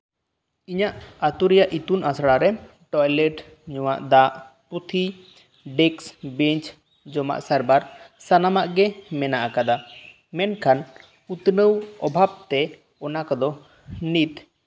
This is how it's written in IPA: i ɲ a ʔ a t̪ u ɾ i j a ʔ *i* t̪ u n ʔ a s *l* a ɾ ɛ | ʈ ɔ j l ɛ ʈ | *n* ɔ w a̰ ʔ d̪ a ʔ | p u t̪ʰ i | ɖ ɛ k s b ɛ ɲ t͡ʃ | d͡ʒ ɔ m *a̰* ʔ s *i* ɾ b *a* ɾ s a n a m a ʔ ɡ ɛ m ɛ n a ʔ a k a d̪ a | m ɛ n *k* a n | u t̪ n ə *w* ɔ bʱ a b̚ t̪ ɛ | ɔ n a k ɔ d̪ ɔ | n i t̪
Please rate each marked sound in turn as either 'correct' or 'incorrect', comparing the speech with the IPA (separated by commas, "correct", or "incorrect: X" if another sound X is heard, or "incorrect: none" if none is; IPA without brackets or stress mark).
correct, incorrect: ɽ, incorrect: ɲ, correct, incorrect: a, correct, incorrect: kʰ, correct